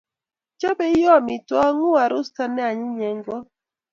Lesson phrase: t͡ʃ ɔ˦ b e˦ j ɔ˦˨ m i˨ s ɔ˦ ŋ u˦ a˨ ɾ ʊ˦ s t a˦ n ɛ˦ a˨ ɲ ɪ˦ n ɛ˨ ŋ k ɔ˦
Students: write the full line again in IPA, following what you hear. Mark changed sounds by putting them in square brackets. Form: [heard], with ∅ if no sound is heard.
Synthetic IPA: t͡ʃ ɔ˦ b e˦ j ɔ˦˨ m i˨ [t] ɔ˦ ŋ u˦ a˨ ɾ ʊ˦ s t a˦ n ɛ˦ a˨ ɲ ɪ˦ [ɲ] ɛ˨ ŋ [ɡ] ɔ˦